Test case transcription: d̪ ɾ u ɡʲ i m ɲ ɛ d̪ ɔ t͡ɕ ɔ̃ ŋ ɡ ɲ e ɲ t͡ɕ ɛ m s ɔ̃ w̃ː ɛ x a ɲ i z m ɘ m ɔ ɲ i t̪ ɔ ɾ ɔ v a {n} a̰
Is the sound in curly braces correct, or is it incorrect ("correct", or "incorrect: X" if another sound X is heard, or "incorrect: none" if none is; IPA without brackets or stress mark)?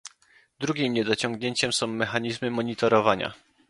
incorrect: ɲ